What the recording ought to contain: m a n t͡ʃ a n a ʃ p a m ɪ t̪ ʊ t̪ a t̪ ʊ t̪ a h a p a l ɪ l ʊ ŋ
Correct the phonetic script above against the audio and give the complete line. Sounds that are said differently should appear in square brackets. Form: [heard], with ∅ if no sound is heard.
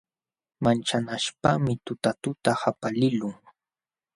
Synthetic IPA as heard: m a n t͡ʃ a n a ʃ p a m ɪ t̪ ʊ t̪ a t̪ ʊ t̪ a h a p a l ɪ l ʊ ŋ